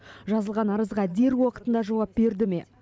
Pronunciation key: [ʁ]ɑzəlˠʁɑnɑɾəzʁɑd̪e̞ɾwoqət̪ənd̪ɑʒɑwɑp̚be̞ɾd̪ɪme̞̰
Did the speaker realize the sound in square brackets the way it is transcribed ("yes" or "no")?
no